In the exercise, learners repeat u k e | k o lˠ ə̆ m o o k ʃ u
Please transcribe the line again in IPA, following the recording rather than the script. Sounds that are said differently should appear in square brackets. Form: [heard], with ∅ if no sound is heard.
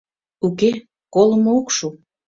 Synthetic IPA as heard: u k e | k o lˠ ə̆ m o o k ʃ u